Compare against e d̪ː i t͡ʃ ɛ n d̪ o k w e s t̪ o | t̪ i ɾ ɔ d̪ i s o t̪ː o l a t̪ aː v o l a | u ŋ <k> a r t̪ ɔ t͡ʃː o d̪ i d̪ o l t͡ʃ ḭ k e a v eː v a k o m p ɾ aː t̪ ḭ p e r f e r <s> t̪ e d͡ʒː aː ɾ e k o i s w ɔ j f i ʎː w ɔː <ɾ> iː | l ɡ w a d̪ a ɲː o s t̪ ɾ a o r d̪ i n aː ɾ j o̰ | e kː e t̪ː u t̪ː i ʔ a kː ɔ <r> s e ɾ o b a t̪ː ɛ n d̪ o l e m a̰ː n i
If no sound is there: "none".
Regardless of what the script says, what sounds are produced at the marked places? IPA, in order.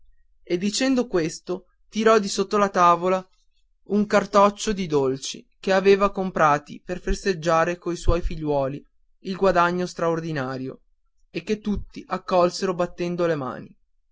k, s, l, l

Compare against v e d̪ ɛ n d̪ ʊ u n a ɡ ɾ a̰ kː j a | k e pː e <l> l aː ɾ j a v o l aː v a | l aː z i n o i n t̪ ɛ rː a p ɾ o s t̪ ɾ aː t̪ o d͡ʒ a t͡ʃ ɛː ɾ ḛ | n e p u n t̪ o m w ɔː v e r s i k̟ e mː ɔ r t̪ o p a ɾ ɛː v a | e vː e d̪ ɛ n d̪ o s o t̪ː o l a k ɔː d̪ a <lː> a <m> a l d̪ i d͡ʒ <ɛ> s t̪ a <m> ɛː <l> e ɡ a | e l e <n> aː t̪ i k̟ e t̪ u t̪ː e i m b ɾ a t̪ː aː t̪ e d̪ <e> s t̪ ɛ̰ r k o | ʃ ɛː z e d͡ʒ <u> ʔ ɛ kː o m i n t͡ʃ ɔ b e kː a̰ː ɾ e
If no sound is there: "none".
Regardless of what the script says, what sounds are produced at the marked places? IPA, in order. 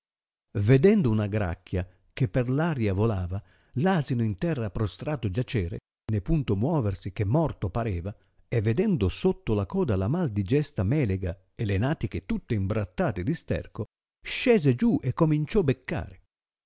r, l, m, ɛ, m, l, n, i, u

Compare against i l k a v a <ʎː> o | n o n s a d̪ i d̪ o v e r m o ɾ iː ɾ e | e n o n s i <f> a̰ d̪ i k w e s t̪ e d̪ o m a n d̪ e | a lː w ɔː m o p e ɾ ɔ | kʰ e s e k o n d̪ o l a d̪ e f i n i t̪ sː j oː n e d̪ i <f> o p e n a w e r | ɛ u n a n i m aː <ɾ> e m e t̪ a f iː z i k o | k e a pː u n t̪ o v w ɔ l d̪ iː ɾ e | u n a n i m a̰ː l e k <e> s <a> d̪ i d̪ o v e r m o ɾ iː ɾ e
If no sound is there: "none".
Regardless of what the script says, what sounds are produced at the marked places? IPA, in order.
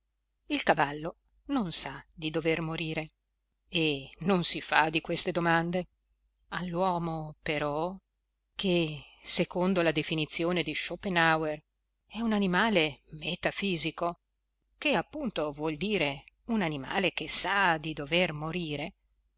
lː, f, ʃ, l, e, a

